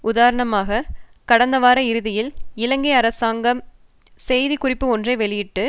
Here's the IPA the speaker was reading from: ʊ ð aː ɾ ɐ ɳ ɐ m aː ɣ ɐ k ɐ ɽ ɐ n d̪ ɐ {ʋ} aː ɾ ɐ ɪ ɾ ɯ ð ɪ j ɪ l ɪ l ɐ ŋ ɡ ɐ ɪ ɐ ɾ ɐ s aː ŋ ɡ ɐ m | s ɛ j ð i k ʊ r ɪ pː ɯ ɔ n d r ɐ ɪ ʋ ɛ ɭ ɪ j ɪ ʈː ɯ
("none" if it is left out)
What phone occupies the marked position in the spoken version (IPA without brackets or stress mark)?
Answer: ʋ